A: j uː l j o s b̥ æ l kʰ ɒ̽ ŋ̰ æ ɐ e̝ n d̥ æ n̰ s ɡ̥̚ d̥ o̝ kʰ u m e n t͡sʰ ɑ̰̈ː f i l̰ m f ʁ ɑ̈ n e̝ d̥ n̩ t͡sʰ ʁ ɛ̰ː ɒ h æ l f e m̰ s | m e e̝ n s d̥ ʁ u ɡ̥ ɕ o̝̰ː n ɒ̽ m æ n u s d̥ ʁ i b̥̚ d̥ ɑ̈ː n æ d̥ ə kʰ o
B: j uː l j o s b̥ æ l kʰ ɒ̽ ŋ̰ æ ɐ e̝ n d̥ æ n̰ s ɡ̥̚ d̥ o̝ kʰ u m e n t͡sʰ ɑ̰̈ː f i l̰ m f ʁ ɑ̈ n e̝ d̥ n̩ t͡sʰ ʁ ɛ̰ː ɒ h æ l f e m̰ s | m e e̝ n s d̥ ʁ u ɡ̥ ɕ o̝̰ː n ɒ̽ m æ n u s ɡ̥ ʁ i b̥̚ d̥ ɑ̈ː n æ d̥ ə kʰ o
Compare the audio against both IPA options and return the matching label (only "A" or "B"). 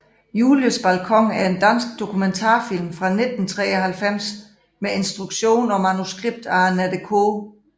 B